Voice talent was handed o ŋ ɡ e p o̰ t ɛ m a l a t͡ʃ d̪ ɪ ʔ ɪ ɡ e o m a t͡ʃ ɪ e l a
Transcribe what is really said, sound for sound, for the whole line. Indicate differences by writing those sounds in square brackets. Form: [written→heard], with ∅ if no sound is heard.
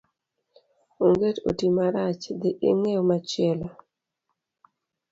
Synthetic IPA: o ŋ ɡ e [p→t] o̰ t [ɛ→i] m a [l→ɾ] a t͡ʃ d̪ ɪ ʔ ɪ [ɡ→ŋ] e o m a t͡ʃ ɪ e l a